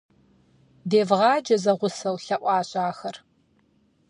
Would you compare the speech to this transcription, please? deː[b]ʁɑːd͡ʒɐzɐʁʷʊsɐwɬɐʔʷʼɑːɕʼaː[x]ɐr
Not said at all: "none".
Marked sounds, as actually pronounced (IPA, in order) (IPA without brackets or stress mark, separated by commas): v, x